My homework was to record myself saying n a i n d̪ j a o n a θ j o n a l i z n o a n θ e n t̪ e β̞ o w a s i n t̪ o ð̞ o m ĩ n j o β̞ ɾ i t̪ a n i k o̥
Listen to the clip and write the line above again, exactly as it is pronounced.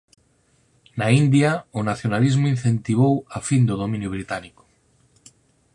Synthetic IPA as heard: n a i n d̪ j a o n a θ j o n a l i z m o i n θ e n t̪ i β̞ o w a f i n d̪ o ð̞ o m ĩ n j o β̞ ɾ i t̪ a n i k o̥